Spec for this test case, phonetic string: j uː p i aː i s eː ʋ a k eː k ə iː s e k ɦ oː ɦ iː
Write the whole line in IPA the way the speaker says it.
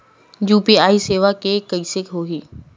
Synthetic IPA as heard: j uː p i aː i s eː ʋ a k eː k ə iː s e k ɦ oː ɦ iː